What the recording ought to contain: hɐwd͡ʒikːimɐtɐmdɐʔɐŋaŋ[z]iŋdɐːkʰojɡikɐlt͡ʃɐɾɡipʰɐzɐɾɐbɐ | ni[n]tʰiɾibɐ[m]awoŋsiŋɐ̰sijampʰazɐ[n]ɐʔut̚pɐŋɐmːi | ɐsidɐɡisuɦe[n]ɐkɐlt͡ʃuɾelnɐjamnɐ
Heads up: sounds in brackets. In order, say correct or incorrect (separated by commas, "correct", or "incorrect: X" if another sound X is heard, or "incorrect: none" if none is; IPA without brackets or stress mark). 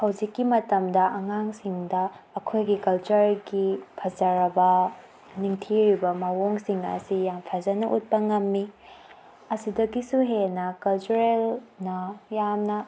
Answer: incorrect: s, incorrect: ŋ, correct, correct, correct